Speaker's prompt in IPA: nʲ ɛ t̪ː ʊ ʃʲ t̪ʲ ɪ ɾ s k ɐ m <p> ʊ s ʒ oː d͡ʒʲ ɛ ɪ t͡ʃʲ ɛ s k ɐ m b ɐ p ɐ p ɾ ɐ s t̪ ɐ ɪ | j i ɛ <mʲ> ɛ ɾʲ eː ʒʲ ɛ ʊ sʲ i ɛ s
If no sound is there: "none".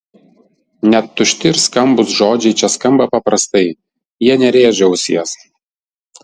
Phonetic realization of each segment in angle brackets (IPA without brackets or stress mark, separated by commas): b, nʲ